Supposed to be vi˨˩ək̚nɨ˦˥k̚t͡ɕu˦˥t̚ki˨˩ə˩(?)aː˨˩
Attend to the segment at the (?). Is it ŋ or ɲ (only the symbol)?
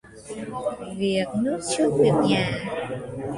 ɲ